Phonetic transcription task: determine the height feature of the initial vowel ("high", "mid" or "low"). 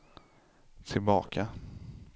high